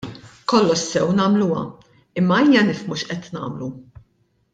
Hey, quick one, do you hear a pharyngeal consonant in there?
no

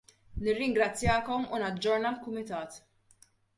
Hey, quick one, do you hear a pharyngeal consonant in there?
no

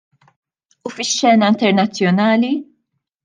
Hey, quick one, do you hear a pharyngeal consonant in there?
no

